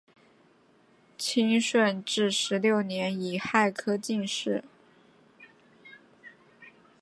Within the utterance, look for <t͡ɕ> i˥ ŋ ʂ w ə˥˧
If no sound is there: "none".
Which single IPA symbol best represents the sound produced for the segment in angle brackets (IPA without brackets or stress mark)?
t͡ɕʰ